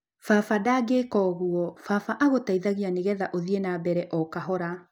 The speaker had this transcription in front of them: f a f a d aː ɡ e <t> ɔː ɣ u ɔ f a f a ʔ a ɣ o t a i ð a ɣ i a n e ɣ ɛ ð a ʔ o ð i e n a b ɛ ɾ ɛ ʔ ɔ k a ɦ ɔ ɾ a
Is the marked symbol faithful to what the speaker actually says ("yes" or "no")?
no